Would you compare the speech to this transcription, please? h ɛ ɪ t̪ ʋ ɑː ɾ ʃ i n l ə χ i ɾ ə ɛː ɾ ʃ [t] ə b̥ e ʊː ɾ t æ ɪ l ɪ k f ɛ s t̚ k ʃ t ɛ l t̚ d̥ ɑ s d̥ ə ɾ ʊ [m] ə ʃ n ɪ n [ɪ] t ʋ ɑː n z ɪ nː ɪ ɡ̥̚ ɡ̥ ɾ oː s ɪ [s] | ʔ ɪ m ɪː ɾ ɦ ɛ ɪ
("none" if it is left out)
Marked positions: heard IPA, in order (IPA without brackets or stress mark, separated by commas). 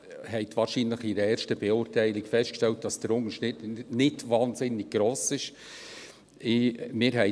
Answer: t, ŋ, ɪ, ʃ